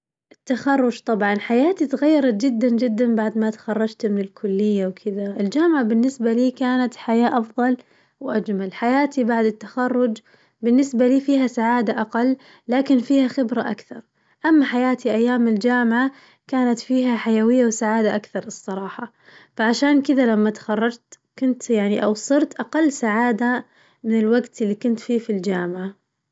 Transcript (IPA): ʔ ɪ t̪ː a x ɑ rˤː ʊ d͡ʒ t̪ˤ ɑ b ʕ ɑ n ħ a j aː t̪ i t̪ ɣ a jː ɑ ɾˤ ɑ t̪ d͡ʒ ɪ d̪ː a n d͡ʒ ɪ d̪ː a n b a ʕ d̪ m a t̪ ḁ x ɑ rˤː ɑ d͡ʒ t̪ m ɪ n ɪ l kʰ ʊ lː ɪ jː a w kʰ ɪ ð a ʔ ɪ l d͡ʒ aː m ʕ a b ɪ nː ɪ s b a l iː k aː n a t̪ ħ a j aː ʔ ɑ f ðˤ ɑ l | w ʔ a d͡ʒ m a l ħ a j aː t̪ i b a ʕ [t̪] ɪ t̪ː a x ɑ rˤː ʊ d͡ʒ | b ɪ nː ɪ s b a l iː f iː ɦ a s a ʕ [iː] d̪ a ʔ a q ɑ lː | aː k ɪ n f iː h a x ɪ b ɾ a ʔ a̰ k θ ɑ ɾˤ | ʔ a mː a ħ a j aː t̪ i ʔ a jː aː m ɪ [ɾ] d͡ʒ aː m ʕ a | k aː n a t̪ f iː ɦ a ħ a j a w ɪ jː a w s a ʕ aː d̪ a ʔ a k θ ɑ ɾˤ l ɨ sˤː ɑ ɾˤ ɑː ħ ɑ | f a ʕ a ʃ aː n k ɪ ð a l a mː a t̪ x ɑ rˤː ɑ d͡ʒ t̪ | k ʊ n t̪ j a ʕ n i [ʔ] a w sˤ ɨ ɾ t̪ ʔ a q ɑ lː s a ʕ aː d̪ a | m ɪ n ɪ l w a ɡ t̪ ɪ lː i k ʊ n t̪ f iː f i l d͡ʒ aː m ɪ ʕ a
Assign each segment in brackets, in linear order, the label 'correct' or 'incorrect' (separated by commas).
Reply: incorrect, incorrect, incorrect, correct